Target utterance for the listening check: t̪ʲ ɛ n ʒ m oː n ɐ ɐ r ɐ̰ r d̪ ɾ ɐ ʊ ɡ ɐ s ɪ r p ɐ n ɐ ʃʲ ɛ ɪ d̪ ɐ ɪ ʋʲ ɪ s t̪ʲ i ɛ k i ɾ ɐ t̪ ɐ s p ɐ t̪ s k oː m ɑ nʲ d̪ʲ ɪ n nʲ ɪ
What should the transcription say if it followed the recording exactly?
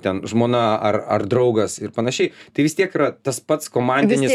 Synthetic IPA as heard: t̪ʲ ɛ n ʒ m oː n ɐ ɐ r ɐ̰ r d̪ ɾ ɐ ʊ ɡ ɐ s ɪ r p ɐ n ɐ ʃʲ ɛ ɪ t̪ ɐ ɪ ʋʲ ɪ s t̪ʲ i ɛ k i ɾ ɐ t̪ ɐ s p ɐ t̪ s k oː m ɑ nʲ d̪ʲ ɪ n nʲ ɪ